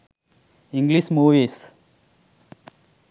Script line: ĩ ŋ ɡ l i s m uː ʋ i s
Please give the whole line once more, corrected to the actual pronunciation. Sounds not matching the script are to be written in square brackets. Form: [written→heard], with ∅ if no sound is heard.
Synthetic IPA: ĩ ŋ ɡ l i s m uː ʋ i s